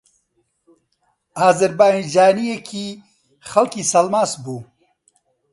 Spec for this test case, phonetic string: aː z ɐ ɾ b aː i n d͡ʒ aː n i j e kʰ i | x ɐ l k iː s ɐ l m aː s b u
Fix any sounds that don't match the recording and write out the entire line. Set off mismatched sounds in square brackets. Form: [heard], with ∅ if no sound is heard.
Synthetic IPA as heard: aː z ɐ ɾ b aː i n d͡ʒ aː n i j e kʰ i | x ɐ l k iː s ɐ l m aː s b u